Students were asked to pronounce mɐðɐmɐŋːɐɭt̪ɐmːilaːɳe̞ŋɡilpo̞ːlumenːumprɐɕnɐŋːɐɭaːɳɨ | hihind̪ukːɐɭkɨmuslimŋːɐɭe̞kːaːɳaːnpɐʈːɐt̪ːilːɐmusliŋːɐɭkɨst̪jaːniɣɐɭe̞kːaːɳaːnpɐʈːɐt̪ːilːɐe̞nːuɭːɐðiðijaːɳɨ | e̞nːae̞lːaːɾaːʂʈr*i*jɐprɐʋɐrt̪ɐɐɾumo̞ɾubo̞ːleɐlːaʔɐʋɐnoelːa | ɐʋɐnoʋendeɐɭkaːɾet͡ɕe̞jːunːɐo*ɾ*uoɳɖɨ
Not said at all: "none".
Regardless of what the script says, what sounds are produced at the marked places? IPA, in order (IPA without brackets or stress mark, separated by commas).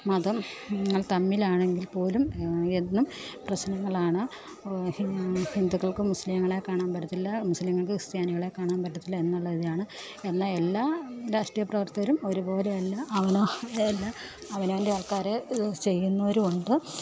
i, ɾ